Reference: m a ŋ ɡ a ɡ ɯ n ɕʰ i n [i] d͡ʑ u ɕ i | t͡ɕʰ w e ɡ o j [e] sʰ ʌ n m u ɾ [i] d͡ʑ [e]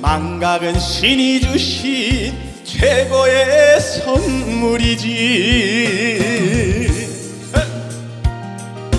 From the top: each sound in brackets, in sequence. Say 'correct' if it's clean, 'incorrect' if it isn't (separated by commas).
correct, correct, correct, incorrect